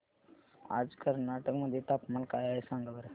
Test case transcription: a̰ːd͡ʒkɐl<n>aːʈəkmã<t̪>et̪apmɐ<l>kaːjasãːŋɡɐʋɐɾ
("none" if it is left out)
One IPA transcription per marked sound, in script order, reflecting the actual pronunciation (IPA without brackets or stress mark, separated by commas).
n, d̪, l